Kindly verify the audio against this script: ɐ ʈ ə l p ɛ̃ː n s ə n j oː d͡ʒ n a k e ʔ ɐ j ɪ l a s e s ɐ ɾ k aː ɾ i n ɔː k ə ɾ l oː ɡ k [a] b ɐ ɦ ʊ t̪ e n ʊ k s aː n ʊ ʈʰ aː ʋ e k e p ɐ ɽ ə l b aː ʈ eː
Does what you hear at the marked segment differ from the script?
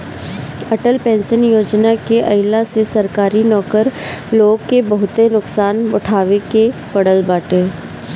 yes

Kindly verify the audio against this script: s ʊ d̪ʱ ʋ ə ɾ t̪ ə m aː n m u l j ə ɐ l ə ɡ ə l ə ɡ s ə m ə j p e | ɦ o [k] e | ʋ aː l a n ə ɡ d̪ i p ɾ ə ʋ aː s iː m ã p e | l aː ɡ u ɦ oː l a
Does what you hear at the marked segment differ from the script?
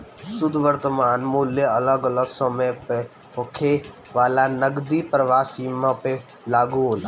yes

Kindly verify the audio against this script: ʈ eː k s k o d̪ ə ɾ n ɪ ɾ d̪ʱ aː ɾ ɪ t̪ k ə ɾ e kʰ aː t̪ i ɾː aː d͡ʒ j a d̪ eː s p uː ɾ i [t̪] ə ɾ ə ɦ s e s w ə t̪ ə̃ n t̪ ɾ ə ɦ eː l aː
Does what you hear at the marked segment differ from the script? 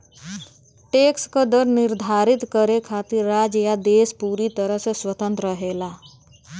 no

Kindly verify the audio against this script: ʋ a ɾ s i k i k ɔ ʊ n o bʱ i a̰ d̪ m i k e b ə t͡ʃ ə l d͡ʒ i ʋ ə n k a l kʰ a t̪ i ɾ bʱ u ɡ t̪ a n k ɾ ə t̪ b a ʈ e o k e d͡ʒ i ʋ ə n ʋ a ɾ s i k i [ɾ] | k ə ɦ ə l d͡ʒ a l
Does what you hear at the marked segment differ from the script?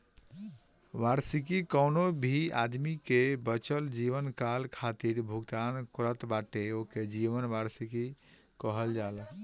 yes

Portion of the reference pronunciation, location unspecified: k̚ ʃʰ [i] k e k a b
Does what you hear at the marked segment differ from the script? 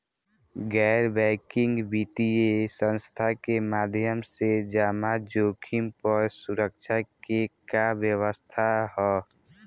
yes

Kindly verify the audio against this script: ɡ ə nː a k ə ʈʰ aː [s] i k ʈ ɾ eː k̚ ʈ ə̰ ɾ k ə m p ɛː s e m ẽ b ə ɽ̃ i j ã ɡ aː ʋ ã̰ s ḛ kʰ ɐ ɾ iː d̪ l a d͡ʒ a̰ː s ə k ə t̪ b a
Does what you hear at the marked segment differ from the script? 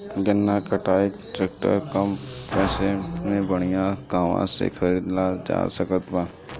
yes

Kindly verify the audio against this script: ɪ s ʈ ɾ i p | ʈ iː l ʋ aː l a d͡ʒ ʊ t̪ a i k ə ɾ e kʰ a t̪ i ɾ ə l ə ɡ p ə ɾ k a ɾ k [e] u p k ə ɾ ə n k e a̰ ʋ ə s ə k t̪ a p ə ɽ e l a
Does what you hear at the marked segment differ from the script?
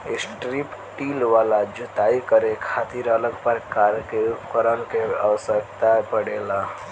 no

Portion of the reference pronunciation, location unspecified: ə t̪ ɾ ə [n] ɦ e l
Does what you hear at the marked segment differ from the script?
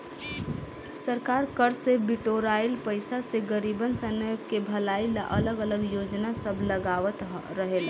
yes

